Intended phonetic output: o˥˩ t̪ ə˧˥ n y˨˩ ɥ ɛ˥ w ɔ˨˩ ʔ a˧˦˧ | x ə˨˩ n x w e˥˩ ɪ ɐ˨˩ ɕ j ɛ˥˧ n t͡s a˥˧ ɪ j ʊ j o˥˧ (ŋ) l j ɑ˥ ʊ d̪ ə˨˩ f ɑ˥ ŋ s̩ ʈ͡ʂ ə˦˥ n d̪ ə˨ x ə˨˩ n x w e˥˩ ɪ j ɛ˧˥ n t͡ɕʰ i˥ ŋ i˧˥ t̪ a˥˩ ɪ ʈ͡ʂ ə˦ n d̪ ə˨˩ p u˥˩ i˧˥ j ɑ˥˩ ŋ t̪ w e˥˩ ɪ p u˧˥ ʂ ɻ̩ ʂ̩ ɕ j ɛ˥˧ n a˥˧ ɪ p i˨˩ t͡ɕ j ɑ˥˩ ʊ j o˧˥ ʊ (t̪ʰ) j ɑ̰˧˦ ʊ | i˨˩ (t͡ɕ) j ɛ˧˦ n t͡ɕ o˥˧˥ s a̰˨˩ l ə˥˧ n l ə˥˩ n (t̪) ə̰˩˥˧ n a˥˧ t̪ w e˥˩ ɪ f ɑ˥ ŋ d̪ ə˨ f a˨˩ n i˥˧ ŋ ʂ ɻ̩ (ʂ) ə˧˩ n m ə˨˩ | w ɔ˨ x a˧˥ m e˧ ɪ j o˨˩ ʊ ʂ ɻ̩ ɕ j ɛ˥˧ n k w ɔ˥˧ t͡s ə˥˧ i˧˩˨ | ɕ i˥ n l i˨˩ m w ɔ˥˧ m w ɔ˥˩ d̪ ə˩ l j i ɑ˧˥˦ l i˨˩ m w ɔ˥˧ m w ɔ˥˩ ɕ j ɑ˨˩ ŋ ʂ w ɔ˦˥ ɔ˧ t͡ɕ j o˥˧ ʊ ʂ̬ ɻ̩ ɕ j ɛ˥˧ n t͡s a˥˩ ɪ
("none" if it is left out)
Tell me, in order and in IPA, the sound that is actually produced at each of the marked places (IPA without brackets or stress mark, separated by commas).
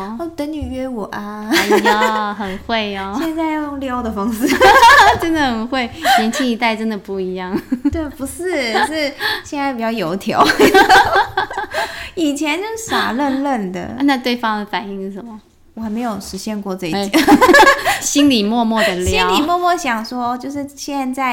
ŋ, t̪ʰ, t͡ɕʰ, d̪, ʂ